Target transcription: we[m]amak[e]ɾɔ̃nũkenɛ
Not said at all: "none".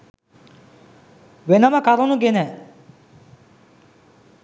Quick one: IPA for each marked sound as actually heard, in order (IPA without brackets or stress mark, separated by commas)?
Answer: n, a